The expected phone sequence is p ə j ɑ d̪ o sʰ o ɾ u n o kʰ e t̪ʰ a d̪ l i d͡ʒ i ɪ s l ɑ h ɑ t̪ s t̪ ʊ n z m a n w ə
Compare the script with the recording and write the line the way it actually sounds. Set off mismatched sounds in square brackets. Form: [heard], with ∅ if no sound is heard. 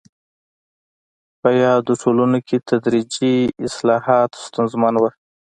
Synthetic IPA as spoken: p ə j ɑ d̪ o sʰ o [l] u n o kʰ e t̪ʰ a d̪ [ɾ] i d͡ʒ i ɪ s l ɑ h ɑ t̪ s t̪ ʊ n z m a n w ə